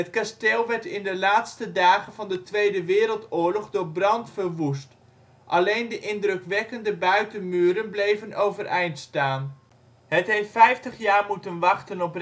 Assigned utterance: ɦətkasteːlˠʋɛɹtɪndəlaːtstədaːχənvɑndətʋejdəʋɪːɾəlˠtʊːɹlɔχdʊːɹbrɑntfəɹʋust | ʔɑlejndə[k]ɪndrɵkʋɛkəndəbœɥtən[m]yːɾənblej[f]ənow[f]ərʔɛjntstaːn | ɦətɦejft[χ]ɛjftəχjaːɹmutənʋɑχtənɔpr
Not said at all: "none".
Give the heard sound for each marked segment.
ʔ, m, v, v, f

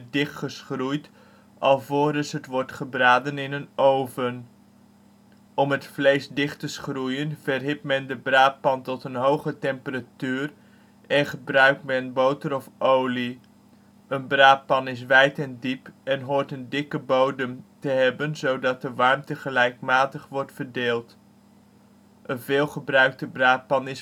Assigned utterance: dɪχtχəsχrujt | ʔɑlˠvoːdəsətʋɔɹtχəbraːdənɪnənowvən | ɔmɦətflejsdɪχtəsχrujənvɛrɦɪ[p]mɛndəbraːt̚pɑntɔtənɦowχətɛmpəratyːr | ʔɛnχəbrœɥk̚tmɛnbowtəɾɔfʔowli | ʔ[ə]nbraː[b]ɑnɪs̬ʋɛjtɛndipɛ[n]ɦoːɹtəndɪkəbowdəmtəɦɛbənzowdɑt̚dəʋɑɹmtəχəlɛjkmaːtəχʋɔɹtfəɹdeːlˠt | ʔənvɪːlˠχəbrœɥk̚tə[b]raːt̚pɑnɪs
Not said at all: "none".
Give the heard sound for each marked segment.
p, ə, p, n, b

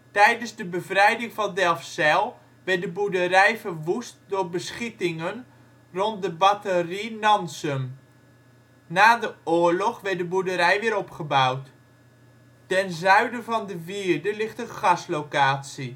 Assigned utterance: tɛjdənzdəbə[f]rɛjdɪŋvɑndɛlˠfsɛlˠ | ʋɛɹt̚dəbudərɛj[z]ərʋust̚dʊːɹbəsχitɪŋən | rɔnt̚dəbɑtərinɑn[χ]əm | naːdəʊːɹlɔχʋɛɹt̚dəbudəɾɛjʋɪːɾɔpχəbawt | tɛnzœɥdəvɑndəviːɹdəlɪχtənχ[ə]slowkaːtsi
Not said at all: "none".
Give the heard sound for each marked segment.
v, v, s, ɑ

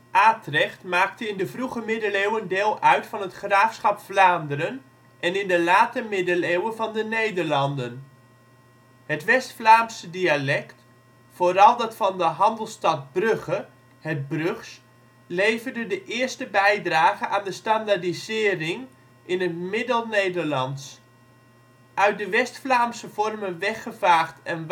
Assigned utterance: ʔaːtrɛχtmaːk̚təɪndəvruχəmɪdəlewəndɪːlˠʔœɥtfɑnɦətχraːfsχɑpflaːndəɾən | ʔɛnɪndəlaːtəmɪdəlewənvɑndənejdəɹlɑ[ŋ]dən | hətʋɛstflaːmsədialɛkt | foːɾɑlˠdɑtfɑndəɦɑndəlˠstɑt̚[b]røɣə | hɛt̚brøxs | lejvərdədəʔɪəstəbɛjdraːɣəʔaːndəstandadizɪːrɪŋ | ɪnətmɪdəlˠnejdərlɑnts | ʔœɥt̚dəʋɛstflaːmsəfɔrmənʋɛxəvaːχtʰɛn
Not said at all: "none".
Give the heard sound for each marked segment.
n, b

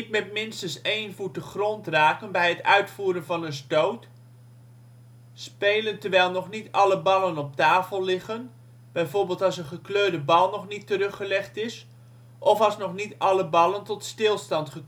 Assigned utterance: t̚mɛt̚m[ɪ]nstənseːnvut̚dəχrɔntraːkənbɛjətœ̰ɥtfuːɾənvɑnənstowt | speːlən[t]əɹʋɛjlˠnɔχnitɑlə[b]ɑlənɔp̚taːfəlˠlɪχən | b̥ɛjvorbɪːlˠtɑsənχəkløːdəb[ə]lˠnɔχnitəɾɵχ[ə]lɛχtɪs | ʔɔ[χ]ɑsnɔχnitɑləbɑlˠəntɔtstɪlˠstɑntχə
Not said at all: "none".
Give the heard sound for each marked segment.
ɪ, t, b, ɑ, ə, f

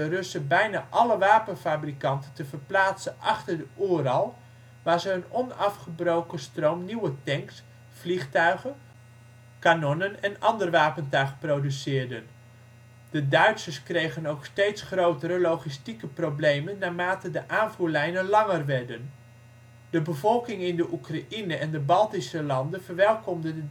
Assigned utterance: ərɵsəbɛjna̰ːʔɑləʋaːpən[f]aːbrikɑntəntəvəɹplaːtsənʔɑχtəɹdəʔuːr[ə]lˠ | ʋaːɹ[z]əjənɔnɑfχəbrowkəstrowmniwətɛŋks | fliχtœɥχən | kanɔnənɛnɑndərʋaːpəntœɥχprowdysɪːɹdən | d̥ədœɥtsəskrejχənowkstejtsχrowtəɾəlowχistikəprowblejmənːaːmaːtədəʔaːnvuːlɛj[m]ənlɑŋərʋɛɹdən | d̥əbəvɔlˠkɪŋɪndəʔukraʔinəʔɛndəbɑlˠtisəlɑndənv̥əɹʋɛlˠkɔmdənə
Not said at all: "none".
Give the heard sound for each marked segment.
f, ɑ, z, n

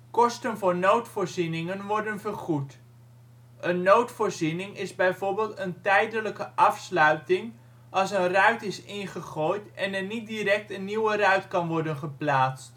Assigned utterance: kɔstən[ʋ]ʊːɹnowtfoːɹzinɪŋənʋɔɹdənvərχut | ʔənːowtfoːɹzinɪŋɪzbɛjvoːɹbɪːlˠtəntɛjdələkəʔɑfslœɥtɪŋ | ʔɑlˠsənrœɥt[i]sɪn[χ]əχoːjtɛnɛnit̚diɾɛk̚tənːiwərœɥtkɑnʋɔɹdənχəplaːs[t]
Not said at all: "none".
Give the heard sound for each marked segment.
v, ɪ, χ, t

